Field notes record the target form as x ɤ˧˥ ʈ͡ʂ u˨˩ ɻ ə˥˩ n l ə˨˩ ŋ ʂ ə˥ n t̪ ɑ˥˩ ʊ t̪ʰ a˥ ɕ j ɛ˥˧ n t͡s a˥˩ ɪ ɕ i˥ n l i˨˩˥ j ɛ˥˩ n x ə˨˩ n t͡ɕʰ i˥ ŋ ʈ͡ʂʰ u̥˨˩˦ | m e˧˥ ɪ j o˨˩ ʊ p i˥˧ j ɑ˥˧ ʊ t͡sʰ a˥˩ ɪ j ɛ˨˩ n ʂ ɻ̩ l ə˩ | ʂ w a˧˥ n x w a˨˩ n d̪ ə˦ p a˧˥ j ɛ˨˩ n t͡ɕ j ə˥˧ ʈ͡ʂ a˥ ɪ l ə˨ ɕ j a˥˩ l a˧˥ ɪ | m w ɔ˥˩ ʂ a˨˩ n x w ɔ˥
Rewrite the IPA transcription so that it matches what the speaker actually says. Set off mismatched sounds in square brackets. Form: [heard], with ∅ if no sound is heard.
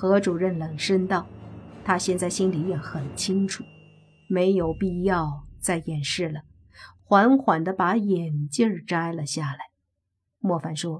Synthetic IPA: x ɤ˧˥ ʈ͡ʂ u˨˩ ɻ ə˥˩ n l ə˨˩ ŋ ʂ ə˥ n t̪ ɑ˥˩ ʊ t̪ʰ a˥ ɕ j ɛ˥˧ n t͡s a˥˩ ɪ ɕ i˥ n l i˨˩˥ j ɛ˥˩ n x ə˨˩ n t͡ɕʰ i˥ ŋ ʈ͡ʂʰ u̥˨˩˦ | m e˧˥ ɪ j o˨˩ ʊ p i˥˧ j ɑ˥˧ ʊ [t͡s] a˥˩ ɪ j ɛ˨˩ n ʂ ɻ̩ l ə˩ | [x] w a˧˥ n x w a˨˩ n d̪ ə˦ p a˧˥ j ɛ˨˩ n t͡ɕ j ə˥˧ ʈ͡ʂ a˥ ɪ l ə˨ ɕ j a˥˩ l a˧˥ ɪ | m w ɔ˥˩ [f] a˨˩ n [ʂ] w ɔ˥